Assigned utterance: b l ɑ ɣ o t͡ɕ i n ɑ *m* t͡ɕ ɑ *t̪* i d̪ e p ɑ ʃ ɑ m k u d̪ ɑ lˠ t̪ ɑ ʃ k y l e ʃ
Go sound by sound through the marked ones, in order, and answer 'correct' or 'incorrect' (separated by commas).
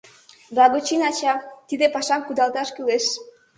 incorrect, correct